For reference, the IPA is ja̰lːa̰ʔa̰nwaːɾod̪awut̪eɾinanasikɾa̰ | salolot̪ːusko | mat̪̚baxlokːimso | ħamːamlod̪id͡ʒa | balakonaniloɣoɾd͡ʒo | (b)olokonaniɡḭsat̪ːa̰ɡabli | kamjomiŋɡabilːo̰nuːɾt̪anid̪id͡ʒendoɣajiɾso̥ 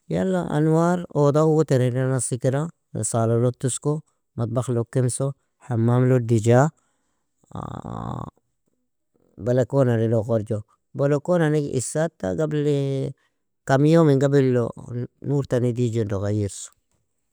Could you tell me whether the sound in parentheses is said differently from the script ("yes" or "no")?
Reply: no